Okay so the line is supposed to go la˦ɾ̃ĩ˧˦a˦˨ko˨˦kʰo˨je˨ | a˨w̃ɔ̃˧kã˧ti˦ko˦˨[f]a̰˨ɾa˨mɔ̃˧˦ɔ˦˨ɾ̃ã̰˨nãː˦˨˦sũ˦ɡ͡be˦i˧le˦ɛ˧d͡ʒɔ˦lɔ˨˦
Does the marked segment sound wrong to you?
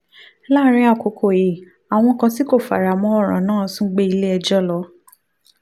no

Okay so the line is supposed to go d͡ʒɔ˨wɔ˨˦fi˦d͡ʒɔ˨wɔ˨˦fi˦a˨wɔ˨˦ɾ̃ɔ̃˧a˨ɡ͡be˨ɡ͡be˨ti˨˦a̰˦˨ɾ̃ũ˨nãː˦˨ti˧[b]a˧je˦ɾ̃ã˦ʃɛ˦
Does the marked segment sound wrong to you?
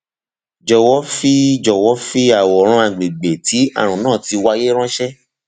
yes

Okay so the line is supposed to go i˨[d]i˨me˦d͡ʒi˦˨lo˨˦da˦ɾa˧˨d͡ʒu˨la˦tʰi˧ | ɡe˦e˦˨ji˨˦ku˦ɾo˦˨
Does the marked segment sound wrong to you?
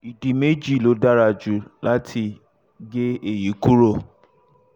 no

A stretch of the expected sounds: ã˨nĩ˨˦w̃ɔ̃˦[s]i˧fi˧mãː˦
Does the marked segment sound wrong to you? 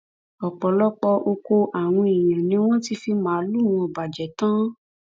yes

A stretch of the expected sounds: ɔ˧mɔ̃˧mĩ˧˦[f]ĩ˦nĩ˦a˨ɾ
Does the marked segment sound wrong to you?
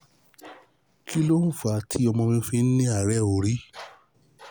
no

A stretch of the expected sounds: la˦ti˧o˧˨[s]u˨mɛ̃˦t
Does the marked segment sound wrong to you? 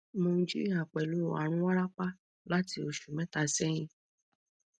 yes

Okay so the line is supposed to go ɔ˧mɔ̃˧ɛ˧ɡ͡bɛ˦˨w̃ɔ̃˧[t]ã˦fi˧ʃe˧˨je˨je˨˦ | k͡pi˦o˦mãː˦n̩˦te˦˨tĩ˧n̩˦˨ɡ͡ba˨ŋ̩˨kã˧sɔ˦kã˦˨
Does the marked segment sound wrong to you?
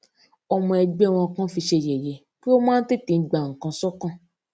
yes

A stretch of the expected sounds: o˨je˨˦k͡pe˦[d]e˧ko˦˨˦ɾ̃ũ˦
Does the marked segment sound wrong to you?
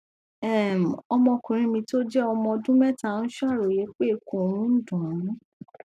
yes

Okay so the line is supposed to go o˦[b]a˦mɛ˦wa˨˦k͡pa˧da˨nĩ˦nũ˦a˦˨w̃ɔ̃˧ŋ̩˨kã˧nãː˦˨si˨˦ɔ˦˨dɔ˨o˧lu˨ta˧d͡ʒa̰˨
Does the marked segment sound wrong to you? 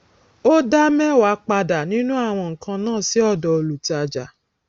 yes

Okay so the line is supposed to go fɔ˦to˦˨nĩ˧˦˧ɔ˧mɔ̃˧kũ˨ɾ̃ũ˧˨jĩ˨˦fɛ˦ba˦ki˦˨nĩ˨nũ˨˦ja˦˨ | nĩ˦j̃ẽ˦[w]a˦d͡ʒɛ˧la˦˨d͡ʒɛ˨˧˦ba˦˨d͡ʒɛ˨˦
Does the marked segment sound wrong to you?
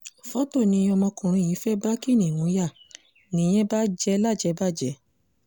yes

